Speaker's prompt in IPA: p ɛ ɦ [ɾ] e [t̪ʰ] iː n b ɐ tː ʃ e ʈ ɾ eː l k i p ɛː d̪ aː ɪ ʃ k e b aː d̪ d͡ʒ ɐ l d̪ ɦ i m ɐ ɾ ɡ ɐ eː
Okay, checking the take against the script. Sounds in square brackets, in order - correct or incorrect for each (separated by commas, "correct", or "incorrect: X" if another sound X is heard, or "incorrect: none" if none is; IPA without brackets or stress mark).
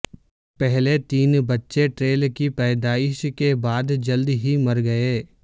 incorrect: l, incorrect: t̪